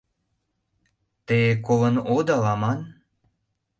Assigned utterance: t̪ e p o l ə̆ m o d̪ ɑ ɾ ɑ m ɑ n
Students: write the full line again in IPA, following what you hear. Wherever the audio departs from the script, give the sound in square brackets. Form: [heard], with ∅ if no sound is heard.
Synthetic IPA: t̪ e [k] o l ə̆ [n] o d̪ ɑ [l] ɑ m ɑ n